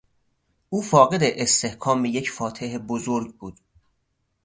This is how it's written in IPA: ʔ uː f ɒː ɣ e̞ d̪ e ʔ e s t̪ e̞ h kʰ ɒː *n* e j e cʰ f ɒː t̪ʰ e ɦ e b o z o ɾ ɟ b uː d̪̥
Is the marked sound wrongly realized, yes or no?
yes